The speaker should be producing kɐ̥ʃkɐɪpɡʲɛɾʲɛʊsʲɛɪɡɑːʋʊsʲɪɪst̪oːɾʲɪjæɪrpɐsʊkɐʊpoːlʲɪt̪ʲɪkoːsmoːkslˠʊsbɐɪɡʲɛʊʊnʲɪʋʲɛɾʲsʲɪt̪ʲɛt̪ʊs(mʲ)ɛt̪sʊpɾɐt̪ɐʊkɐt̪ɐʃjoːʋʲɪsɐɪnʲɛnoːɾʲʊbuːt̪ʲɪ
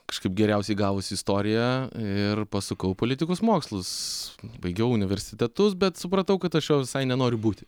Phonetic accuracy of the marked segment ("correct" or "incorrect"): incorrect